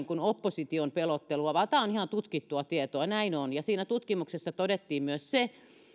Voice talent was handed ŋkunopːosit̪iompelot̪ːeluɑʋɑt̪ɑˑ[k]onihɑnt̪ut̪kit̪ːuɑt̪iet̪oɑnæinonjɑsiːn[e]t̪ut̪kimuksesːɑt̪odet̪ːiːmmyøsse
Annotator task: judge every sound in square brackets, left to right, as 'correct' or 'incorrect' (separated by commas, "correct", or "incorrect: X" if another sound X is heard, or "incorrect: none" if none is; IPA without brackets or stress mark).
incorrect: none, incorrect: æ